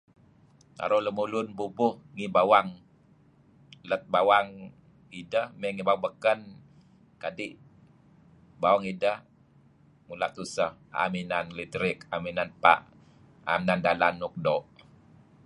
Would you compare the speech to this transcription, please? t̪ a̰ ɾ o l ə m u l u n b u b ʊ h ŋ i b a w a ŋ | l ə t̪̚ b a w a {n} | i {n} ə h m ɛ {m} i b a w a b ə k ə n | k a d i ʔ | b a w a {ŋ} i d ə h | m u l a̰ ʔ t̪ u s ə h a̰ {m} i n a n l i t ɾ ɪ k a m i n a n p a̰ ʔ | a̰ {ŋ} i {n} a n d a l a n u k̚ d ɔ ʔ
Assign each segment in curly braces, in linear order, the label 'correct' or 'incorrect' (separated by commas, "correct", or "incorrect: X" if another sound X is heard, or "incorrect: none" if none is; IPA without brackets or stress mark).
incorrect: ŋ, incorrect: d, incorrect: ŋ, correct, correct, incorrect: m, correct